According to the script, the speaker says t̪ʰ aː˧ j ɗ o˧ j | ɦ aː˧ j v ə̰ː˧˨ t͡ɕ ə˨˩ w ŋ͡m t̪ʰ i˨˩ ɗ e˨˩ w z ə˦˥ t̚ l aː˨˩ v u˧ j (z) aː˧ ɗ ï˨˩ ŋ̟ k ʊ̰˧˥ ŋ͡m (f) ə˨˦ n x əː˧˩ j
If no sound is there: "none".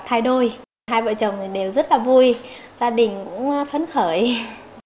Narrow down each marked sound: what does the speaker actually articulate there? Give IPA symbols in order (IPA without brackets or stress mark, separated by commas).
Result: z, f